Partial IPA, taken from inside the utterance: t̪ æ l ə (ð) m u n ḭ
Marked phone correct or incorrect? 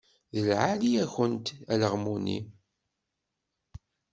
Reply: incorrect: ʁ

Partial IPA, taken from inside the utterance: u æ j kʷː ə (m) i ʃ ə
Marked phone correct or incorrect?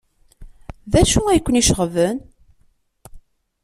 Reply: incorrect: n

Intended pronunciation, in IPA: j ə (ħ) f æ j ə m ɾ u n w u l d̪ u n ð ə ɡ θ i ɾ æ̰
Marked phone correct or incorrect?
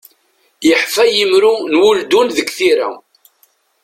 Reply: correct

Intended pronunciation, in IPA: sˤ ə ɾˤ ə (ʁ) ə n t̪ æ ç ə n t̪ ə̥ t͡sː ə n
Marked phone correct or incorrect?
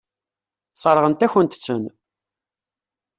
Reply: correct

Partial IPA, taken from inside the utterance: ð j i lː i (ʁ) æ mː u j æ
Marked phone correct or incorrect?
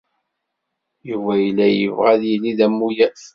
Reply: incorrect: ð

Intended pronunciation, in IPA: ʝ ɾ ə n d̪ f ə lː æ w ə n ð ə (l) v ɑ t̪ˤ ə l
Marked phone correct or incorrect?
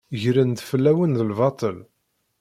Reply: correct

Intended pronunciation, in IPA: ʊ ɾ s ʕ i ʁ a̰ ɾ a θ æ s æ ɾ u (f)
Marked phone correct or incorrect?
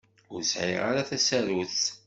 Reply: incorrect: θ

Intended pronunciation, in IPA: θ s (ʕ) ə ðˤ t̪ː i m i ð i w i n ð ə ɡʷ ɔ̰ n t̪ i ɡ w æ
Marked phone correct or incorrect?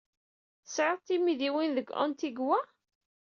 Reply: correct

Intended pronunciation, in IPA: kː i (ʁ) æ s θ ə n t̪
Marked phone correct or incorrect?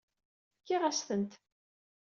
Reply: correct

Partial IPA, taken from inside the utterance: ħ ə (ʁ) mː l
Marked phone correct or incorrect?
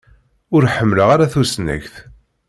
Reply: incorrect: none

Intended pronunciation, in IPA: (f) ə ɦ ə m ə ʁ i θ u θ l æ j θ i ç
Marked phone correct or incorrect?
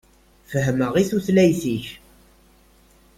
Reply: correct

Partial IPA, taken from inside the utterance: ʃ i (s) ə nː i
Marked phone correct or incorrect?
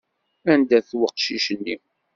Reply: incorrect: ʃ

